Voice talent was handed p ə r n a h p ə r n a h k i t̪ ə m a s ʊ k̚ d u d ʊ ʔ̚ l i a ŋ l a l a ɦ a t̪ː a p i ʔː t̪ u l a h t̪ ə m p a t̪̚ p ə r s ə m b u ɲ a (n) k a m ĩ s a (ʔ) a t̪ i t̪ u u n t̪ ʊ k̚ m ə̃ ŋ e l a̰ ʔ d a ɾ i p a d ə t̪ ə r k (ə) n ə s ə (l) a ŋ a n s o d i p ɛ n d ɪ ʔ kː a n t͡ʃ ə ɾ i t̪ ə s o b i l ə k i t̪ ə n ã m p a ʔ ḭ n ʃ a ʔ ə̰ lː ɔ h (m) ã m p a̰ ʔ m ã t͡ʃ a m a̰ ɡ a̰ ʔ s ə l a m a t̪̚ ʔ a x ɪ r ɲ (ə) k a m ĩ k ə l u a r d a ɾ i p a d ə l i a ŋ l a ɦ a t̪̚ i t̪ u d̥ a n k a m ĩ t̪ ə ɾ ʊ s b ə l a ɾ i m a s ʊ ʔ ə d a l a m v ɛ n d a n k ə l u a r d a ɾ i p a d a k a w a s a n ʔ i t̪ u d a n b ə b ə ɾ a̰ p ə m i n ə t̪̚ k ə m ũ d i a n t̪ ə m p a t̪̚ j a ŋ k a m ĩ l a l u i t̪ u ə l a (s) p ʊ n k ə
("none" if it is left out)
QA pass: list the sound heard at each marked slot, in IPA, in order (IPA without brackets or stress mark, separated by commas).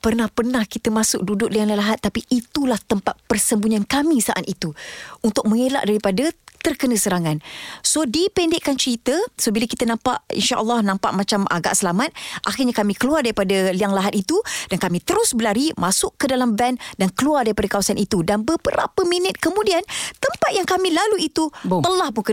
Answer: n, ʔ, ə, ɾ, n, a, h